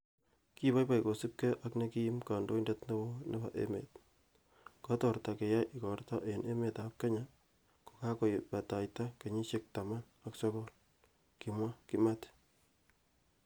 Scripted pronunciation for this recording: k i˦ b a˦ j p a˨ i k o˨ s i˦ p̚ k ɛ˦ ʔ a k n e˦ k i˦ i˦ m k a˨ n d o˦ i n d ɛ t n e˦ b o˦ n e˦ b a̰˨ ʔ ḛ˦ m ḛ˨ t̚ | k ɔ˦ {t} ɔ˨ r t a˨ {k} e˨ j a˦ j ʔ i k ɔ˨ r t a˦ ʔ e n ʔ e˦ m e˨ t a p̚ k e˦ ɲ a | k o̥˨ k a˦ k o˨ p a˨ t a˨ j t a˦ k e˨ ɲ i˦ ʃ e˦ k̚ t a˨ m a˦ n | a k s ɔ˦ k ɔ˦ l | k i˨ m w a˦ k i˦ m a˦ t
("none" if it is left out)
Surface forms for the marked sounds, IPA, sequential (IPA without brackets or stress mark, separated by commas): t, k